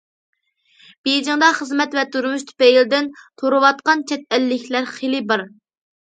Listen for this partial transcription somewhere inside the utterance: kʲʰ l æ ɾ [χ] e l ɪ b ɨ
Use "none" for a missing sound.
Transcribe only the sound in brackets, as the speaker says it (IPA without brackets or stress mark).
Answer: χ